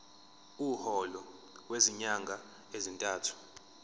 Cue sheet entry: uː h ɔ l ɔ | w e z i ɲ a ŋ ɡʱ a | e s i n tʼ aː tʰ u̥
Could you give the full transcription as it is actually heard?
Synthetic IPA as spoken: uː h ɔ l ɔ | w e z i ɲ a ŋ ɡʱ a | e z i n tʼ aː tʰ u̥